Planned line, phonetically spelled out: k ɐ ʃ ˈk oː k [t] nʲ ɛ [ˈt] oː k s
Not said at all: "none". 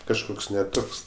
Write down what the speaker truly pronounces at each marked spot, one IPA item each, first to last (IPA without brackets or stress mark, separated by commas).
s, t